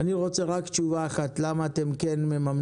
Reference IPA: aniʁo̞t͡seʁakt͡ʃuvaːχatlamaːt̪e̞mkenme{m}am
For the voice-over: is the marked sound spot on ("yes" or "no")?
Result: yes